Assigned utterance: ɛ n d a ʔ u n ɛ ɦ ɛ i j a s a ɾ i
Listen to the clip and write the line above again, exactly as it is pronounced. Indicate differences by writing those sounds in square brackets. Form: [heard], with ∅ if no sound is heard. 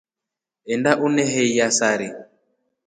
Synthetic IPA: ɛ n d a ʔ u n ɛ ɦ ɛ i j a s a ɾ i